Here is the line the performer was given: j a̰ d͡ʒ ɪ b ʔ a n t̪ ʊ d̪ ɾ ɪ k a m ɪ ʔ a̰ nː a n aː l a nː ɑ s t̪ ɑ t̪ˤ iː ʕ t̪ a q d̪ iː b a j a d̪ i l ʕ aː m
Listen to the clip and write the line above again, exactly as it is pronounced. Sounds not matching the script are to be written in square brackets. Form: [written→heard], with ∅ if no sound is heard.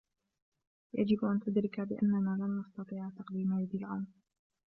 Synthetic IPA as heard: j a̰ d͡ʒ ɪ b ʔ a n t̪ ʊ d̪ ɾ ɪ k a [m→b] ɪ ʔ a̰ nː a n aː l a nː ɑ s t̪ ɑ t̪ˤ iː ʕ t̪ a q d̪ iː [b→m] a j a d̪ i l ʕ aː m